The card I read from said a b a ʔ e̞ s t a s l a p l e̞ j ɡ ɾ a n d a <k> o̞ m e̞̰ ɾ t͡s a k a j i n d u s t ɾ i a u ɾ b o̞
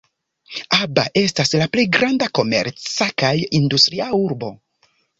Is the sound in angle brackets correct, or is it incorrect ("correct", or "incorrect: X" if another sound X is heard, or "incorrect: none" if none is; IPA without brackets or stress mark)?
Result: correct